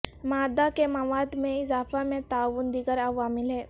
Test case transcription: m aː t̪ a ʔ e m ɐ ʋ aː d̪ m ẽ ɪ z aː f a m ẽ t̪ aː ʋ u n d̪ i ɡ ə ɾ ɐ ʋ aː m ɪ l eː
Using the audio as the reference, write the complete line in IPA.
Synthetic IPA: m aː d̪ a k e m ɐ ʋ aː d̪ m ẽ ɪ z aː f a m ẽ t̪ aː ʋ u n d̪ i ɡ ə ɾ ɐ ʋ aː m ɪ l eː

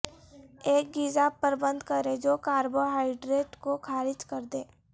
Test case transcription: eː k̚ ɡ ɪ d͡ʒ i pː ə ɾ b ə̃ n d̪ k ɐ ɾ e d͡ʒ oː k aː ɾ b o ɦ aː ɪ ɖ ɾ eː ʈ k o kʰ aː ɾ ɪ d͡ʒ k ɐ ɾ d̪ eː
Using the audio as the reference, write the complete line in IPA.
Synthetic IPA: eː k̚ ɡ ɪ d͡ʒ a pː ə ɾ b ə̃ n d̪ k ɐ ɾ e d͡ʒ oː k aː ɾ b o ɦ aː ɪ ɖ ɾ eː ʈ k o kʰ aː ɾ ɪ d͡ʒ k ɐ ɾ d̪ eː

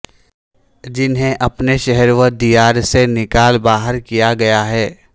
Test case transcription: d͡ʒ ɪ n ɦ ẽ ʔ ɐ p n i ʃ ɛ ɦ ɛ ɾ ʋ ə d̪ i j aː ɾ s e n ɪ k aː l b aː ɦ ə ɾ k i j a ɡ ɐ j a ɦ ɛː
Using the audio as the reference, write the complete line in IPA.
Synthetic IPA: d͡ʒ ɪ n ɦ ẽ ʔ ɐ p n e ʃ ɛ ɦ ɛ ɾ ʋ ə d̪ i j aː ɾ s e n ɪ k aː l b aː ɦ ə ɾ k i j a ɡ ɐ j a ɦ ɛː

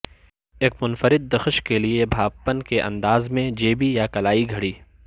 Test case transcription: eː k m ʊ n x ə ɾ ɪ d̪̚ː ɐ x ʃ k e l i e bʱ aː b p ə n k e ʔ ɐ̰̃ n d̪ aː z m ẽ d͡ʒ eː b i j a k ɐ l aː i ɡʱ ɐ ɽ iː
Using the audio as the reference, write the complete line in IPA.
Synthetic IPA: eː k m ʊ n f ə ɾ ɪ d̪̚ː ɐ x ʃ k e l i e bʱ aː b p ə n k e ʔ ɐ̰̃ n d̪ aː z m ẽ d͡ʒ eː b i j a k ɐ l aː i ɡʱ ɐ ɽ iː

